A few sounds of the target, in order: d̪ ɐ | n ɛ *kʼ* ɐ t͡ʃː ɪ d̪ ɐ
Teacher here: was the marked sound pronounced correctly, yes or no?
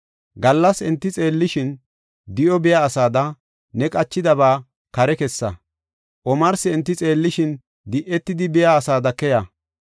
yes